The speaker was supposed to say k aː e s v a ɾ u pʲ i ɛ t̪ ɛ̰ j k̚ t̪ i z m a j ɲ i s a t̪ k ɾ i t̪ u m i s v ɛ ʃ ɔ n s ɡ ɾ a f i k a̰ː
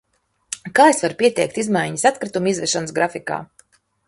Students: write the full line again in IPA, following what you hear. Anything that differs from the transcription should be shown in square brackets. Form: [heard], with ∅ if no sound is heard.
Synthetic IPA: k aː e s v a ɾ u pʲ i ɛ t̪ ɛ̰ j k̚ t̪ i z m a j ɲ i s a t̪ k ɾ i t̪ u m i [z] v ɛ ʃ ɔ n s ɡ ɾ a f i k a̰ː